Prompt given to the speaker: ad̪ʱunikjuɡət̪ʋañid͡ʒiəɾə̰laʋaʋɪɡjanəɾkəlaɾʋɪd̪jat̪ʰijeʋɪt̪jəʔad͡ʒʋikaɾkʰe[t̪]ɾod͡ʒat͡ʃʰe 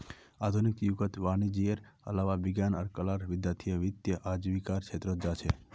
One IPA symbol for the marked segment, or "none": t̪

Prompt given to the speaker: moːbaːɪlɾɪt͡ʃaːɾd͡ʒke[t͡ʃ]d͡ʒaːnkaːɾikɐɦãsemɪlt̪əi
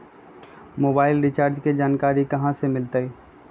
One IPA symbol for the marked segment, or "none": none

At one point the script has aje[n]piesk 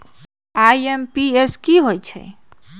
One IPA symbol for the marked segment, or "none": m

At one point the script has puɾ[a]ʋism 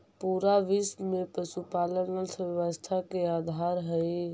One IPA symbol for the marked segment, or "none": a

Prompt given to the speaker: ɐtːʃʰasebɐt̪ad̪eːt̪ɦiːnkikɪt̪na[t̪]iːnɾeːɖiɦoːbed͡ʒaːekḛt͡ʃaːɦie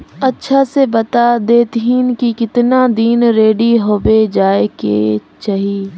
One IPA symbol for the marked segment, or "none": d̪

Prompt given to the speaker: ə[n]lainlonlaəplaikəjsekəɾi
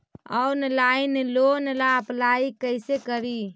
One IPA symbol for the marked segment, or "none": n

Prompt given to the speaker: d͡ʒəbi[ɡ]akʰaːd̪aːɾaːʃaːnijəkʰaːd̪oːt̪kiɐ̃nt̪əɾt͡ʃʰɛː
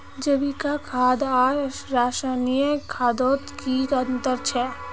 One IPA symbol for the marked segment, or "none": k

